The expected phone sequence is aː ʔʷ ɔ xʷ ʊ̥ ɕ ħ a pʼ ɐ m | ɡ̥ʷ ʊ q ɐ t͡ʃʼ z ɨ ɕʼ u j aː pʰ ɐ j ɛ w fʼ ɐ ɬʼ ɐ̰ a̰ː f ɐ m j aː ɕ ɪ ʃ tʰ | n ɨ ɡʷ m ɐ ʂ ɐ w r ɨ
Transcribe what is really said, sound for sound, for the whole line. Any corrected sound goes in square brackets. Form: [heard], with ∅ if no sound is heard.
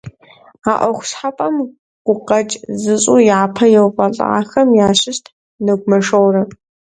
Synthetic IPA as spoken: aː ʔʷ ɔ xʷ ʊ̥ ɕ ħ a pʼ ɐ m | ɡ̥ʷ ʊ q ɐ t͡ʃʼ z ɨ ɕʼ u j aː pʰ ɐ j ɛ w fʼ ɐ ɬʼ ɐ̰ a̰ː [x] ɐ m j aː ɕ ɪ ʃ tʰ | n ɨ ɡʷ m ɐ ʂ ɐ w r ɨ